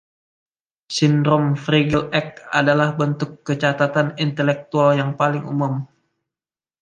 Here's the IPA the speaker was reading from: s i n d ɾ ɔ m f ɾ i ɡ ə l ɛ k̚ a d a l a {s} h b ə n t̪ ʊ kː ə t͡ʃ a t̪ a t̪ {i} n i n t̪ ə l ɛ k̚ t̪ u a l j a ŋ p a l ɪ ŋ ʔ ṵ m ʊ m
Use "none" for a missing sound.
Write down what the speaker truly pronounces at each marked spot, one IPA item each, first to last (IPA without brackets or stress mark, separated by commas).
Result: none, a